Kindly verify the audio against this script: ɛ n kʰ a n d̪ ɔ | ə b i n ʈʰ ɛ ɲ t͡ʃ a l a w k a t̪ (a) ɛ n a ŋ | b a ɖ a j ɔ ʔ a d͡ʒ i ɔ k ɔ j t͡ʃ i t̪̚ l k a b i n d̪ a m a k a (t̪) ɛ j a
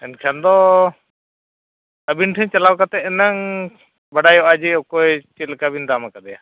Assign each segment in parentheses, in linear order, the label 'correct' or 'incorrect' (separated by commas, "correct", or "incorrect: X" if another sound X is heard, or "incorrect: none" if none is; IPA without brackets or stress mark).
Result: incorrect: ɛ, incorrect: d̪